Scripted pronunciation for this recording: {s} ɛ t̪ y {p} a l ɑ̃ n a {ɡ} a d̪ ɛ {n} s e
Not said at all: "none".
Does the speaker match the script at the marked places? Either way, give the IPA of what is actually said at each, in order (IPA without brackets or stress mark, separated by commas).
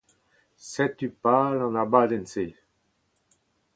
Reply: s, p, b, n